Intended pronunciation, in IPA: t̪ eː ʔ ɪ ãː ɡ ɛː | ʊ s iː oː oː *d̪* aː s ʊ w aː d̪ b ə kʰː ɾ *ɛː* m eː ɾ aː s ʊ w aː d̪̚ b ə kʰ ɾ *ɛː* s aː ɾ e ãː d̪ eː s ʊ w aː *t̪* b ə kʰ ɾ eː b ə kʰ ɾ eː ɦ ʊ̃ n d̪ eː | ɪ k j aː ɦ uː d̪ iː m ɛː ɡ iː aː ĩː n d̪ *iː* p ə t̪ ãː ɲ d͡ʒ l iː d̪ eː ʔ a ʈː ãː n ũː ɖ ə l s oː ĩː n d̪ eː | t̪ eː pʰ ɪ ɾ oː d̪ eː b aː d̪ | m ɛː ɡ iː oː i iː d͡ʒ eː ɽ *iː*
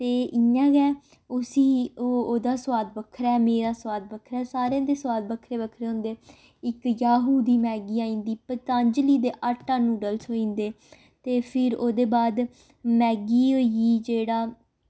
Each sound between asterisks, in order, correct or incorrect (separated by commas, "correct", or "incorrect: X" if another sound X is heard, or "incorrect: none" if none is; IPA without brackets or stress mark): correct, correct, correct, incorrect: d̪, correct, incorrect: aː